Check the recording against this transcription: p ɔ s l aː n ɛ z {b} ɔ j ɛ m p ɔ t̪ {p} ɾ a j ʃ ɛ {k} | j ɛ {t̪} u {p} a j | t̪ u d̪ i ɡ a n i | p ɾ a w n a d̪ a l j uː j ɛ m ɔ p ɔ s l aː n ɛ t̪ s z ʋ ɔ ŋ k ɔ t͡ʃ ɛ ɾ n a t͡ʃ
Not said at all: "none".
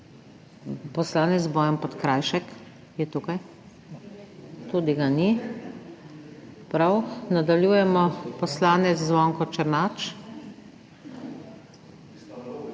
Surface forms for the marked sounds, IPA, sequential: b, k, k, t̪, k

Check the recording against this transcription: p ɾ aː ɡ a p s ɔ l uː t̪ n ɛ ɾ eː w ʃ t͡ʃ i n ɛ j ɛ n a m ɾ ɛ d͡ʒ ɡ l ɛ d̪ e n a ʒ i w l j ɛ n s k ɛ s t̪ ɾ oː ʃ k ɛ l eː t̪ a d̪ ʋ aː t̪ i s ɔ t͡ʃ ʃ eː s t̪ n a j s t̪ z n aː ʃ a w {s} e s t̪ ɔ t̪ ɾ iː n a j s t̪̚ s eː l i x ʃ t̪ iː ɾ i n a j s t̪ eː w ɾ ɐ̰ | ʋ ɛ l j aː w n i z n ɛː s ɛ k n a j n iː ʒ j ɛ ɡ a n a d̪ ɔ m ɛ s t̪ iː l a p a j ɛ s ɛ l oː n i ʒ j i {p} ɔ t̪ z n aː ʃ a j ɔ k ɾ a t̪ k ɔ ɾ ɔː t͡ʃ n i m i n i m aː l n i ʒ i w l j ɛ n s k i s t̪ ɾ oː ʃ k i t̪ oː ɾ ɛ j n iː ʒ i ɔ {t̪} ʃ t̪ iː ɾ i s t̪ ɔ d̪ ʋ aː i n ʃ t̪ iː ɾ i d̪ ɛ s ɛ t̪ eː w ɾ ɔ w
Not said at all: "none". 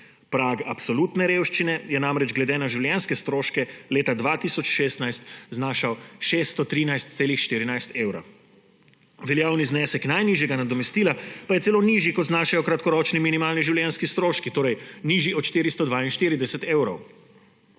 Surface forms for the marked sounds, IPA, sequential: ʃ, k, t̪

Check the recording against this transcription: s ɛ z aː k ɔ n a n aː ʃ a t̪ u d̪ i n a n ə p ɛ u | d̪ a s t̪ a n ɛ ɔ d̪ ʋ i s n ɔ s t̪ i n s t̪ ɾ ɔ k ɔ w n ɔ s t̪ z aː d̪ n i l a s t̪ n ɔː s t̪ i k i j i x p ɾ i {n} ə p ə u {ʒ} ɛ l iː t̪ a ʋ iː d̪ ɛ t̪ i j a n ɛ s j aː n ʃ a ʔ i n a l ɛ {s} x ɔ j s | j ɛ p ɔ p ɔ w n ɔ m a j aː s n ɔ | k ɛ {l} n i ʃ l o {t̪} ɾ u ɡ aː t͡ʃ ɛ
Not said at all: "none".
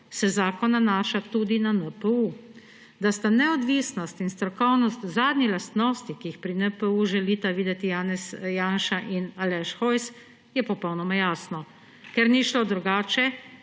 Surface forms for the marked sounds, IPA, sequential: n, ʒ, ʃ, ɾ, d̪

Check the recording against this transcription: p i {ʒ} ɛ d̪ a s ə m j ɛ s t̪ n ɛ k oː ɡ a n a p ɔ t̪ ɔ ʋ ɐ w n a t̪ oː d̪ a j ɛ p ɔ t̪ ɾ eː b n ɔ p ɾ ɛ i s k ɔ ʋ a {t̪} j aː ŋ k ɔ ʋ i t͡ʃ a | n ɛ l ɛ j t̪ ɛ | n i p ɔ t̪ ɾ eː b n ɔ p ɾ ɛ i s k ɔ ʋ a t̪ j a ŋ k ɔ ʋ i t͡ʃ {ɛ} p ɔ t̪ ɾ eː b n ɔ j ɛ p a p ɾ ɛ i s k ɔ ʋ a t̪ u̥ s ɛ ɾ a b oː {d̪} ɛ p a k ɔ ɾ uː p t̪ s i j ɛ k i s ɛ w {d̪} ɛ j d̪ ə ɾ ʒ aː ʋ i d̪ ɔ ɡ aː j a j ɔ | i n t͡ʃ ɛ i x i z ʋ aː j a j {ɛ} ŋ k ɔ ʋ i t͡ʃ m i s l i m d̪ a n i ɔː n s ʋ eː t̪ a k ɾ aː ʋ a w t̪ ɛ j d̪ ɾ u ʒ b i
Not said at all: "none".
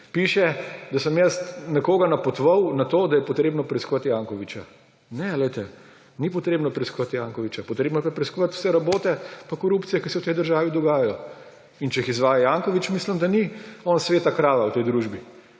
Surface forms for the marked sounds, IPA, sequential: ʃ, t̪, a, t̪, t̪, a

